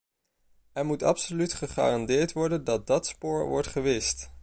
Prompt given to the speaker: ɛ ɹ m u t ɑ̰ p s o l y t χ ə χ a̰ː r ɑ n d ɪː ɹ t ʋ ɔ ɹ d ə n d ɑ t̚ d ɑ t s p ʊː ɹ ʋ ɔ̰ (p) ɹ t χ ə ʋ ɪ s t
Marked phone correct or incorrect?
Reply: incorrect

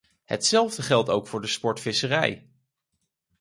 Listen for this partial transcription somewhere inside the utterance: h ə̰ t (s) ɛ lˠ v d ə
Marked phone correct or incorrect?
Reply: correct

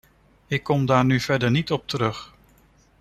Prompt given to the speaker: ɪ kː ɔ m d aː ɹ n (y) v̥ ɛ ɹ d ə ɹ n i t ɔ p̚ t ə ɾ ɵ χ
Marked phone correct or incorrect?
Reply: correct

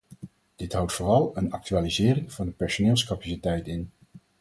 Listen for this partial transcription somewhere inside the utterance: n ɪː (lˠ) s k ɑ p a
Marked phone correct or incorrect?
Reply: correct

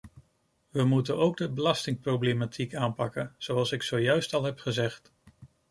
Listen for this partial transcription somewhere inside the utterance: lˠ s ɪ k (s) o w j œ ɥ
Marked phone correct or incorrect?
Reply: correct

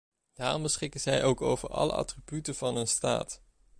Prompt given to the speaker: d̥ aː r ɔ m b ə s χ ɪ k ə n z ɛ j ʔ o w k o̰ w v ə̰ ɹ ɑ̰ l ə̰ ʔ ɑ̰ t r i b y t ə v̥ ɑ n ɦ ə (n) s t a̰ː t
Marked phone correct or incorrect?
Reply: correct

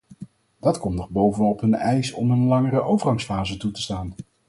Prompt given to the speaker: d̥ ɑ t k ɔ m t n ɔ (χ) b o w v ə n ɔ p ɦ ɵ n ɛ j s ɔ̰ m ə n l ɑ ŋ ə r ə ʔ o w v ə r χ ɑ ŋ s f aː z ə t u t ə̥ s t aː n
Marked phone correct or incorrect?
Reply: correct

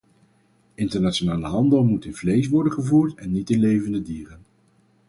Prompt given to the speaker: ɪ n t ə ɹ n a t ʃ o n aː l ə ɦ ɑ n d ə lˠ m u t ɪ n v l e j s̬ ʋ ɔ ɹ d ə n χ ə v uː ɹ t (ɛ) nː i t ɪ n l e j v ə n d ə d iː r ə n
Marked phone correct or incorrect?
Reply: correct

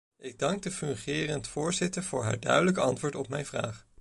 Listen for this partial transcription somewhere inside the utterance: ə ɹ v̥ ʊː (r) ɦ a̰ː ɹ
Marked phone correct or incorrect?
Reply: incorrect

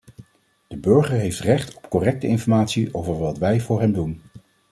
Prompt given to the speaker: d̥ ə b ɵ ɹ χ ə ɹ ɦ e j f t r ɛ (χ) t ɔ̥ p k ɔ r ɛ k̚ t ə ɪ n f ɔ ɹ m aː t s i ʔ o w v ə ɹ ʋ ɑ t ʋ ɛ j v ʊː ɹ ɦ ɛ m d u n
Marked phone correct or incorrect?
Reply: correct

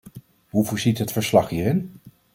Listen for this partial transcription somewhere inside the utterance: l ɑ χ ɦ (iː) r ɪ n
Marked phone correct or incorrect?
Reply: correct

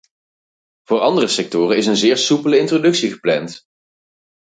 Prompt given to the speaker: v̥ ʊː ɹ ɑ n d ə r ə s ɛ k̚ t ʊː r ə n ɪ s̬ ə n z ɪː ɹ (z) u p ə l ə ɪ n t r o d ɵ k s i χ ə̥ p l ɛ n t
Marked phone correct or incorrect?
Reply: incorrect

